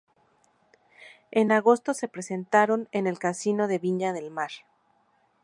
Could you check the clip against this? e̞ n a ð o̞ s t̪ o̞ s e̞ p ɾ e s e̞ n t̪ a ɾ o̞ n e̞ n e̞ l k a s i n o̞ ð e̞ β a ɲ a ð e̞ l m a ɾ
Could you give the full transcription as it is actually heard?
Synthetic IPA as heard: e̞ n a ɣ o̞ s t̪ o̞ s e̞ p ɾ e s e̞ n t̪ a ɾ o̞ n e̞ n e̞ l k a s i n o̞ ð e̞ β i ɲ a ð e̞ l m a ɾ